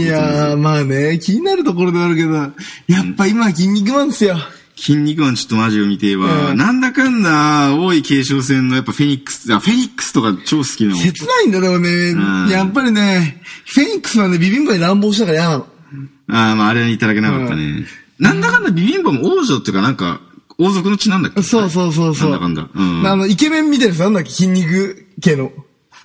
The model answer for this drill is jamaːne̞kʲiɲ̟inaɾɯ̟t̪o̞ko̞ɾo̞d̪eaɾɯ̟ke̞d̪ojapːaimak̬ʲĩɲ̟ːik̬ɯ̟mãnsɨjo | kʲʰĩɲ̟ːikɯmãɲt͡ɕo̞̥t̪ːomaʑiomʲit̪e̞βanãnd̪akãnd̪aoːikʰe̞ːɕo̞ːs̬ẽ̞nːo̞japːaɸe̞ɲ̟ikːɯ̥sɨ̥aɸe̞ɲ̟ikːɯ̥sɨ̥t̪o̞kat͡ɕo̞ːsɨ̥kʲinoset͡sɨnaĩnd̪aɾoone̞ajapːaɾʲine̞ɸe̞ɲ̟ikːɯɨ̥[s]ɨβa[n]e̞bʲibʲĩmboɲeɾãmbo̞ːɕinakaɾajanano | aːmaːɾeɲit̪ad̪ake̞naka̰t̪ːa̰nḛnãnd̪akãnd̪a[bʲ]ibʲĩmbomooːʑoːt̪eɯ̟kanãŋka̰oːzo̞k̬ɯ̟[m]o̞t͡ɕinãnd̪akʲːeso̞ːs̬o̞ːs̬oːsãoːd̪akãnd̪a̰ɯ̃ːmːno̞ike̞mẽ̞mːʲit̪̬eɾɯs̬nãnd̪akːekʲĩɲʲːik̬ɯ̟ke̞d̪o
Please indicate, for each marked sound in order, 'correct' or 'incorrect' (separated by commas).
correct, correct, correct, incorrect